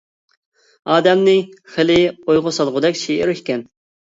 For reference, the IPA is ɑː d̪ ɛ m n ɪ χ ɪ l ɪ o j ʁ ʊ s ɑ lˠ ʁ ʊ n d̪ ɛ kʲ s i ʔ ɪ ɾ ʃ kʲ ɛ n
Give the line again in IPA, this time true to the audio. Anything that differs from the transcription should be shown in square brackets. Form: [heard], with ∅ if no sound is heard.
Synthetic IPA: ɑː d̪ ɛ m n ɪ χ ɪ l ɪ o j ʁ ʊ s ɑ lˠ ʁ ʊ [∅] d̪ ɛ kʲ [ʃ] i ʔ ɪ ɾ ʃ kʲ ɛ n